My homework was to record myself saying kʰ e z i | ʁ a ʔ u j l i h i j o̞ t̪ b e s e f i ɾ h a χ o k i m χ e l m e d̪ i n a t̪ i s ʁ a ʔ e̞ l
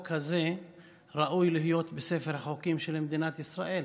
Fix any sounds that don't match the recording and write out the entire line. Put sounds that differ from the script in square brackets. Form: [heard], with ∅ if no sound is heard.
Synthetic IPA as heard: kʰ [a] z [e] | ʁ a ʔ u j l i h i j o̞ t̪ b e s e f [e] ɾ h a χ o k i m [ʃ] e l m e d̪ i n a t̪ i s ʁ a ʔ e̞ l